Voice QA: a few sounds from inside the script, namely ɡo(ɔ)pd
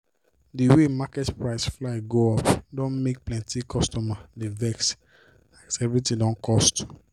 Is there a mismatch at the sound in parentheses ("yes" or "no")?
no